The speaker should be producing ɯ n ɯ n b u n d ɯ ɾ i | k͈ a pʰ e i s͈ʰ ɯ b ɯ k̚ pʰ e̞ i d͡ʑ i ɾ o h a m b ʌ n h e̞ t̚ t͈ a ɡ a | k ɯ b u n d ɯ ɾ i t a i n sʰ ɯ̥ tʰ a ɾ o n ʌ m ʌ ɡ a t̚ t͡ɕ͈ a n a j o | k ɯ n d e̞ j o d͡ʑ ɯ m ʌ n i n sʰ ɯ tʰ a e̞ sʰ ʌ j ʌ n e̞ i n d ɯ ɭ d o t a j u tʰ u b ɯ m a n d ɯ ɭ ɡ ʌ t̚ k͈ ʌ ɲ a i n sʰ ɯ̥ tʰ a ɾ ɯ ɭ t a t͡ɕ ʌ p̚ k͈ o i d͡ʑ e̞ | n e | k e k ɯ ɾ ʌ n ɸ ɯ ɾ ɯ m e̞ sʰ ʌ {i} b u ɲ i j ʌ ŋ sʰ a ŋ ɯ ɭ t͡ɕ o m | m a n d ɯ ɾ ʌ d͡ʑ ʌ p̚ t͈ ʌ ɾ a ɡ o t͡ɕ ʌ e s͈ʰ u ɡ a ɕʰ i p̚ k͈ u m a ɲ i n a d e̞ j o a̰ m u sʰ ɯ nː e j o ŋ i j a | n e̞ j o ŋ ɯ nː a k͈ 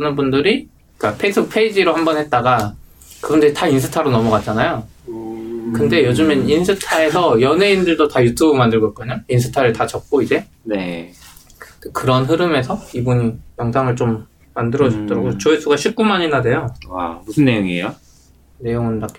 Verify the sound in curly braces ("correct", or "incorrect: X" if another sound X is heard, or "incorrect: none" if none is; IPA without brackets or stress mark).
correct